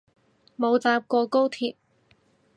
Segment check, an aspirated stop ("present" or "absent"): present